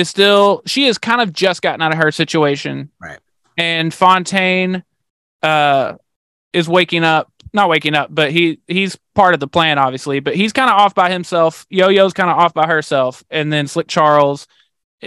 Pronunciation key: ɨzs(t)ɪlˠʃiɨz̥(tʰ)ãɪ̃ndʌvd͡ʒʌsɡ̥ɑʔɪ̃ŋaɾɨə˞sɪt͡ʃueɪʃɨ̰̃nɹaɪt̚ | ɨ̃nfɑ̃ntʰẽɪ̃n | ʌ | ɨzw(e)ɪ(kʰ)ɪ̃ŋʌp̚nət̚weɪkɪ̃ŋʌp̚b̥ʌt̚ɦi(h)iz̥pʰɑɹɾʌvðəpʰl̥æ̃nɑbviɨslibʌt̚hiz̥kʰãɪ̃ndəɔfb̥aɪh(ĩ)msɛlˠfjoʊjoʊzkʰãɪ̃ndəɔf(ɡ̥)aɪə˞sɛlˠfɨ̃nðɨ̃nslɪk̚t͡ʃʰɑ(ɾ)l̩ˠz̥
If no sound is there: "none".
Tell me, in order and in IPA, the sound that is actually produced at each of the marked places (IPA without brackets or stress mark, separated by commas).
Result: t, kʰ, e, k, h, ɨ̃, b̥, ɹ